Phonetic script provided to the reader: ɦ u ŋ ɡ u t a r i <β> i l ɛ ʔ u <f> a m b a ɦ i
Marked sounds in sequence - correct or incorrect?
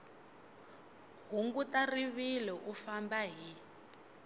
correct, correct

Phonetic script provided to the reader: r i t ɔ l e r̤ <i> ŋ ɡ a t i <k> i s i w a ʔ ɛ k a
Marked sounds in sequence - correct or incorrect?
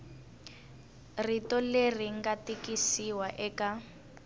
correct, correct

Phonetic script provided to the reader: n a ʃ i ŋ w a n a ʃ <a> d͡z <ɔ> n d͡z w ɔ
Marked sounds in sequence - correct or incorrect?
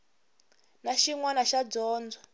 correct, incorrect: ɔː

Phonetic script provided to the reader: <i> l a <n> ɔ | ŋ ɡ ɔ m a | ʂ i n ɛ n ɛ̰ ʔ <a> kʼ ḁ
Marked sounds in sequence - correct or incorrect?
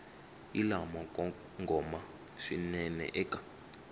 correct, incorrect: m, incorrect: ɛ

